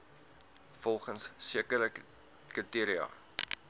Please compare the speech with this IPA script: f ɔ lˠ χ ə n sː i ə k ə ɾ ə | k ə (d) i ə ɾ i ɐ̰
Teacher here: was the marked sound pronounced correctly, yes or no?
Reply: no